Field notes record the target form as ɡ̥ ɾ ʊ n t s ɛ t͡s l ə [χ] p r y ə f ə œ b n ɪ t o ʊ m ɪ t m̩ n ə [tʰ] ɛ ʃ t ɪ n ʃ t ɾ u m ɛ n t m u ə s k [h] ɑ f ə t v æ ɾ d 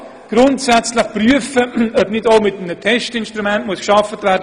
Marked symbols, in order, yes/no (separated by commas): yes, yes, no